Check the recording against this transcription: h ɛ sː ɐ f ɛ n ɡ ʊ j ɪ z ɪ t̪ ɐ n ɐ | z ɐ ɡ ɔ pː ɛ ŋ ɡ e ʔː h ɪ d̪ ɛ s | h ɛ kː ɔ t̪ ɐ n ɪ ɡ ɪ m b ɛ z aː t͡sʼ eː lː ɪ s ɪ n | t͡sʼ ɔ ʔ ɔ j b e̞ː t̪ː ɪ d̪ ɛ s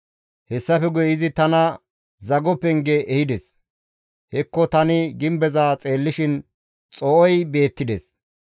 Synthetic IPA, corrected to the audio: h ɛ sː ɐ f ɛ ɡ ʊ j ɪ z ɪ t̪ ɐ n ɐ | z ɐ ɡ ɔ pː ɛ ŋ ɡ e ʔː h ɪ d̪ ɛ s | h ɛ kː ɔ t̪ ɐ n ɪ ɡ ɪ m b ɛ z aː t͡sʼ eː lː ɪ ʃ ɪ n | t͡sʼ ɔ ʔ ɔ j b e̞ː t̪ː ɪ d̪ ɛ s